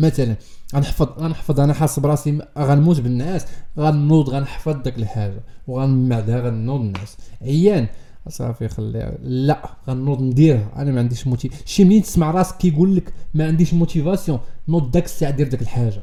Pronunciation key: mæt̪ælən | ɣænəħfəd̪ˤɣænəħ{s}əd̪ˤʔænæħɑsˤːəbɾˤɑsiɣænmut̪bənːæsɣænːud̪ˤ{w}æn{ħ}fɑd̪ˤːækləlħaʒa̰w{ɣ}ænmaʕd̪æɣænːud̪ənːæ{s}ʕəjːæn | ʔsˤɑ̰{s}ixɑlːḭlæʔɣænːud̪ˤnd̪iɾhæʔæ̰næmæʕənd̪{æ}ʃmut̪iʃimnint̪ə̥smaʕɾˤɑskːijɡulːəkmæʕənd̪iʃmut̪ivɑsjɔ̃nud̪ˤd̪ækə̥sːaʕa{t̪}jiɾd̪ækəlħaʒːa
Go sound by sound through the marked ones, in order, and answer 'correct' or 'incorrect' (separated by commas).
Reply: incorrect, incorrect, correct, correct, correct, incorrect, incorrect, incorrect